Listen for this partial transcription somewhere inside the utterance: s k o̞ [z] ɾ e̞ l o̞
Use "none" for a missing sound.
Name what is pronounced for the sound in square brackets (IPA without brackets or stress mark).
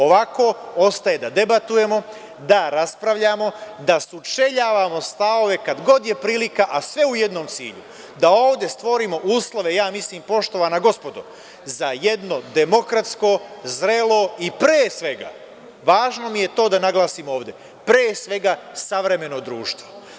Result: z